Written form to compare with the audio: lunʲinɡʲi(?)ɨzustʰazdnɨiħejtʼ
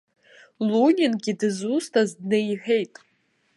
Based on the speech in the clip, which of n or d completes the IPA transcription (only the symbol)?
d